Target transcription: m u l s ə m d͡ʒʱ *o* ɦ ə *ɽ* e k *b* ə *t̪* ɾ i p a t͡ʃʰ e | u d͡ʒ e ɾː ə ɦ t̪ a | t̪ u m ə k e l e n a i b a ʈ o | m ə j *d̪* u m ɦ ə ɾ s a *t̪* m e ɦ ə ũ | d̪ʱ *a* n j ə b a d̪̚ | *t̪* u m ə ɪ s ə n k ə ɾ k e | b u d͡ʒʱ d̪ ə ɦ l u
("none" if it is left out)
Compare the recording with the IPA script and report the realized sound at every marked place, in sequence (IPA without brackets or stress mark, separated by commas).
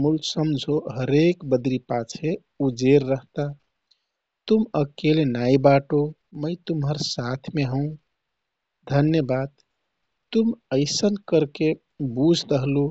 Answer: o, ɾ, b, d̪, t̪, t̪ʰ, ə, t̪